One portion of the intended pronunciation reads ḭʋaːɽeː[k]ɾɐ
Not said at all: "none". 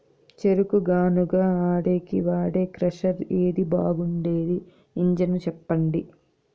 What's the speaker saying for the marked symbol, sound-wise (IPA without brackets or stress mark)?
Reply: k